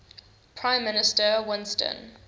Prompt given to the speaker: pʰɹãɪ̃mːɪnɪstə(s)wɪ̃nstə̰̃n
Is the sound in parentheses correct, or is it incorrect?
incorrect: none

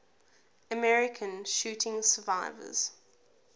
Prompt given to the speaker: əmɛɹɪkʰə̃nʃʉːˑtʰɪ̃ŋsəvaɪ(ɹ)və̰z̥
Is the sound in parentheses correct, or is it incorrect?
incorrect: none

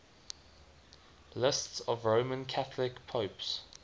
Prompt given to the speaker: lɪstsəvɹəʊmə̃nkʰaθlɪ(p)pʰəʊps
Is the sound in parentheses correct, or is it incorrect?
incorrect: k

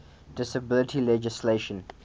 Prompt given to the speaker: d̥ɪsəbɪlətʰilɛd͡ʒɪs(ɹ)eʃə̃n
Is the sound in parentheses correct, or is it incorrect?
incorrect: l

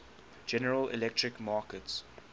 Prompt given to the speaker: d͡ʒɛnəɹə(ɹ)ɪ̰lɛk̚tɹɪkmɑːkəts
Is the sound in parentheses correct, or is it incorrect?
incorrect: l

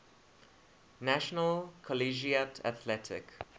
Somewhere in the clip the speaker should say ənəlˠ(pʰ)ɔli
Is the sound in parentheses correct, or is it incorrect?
incorrect: kʰ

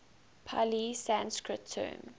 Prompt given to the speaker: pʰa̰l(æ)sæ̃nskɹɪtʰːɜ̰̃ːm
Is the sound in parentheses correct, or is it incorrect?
incorrect: i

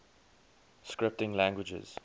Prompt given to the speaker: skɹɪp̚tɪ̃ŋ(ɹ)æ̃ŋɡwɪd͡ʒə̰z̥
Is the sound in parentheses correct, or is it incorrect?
incorrect: l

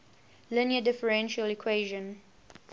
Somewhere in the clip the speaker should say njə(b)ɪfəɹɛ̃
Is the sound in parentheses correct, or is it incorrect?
incorrect: d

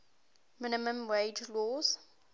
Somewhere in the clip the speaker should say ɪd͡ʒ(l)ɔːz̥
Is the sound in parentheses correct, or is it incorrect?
correct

